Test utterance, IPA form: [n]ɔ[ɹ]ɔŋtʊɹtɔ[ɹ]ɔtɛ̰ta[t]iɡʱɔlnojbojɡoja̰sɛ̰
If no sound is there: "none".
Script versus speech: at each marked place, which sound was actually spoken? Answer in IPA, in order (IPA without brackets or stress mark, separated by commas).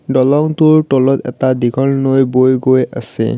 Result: d, l, l, d